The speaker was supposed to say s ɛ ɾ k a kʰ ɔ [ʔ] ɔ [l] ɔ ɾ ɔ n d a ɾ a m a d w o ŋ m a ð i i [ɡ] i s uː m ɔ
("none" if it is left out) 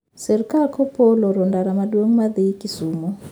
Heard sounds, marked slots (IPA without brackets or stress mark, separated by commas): p, l, k